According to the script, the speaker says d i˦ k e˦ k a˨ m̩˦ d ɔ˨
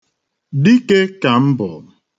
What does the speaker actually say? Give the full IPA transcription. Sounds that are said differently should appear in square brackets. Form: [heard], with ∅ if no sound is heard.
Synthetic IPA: d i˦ k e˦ k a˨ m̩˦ [b] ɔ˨